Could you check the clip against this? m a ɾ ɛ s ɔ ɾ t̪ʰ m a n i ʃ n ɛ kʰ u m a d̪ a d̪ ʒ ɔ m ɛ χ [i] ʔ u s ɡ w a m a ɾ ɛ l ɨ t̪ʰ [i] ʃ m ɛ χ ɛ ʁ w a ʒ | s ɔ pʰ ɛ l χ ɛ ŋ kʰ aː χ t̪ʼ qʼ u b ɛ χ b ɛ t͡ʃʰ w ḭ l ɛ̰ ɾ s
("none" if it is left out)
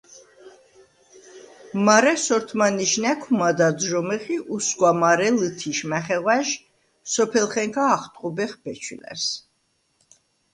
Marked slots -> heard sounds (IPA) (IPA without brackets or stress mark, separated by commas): i, i